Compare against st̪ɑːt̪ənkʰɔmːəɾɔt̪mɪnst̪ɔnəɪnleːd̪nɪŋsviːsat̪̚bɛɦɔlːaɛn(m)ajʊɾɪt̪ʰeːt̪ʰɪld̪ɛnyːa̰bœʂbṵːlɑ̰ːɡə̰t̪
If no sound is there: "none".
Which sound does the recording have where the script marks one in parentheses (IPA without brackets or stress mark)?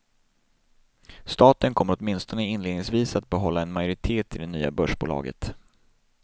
m